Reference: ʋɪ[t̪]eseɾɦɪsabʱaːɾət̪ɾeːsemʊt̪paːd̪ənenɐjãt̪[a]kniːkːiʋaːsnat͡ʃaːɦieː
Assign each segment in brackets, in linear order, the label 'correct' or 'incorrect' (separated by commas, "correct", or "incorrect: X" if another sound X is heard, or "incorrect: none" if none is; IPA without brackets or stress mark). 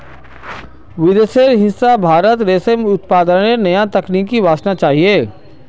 incorrect: d̪, incorrect: ɐ